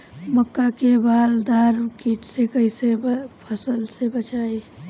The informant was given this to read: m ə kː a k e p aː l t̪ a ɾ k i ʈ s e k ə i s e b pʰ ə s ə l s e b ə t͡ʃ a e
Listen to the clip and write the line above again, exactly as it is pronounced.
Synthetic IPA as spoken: m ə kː a k e b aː l d̪ a ɾ k i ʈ s e k ə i s e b pʰ ə s ə l s e b ə t͡ʃ a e